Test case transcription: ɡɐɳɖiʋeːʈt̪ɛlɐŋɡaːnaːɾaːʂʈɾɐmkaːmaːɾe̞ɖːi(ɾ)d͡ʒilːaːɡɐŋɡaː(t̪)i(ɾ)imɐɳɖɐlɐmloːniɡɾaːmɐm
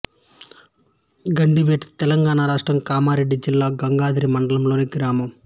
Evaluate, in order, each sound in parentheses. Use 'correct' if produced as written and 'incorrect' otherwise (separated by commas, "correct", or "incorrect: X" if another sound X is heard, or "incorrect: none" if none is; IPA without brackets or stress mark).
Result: incorrect: none, incorrect: d̪, correct